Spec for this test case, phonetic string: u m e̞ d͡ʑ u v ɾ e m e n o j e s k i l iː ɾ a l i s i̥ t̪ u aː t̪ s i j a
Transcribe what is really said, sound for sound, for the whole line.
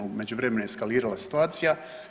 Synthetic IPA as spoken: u m e̞ d͡ʑ u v ɾ e m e n o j e s k a l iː ɾ a l a s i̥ t̪ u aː t̪ s i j a